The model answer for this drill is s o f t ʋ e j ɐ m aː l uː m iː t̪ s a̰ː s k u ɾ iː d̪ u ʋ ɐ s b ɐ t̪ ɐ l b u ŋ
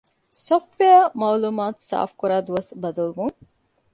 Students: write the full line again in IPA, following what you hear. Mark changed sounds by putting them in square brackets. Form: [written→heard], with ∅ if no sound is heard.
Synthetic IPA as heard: s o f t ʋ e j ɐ m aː l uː m [iː→aː] t̪ s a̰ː [s→f] k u ɾ [iː→aː] d̪ u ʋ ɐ s b ɐ [t̪→d̪] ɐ l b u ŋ